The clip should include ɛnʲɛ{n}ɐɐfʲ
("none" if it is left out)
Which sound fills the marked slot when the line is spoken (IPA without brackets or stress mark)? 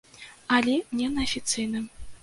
n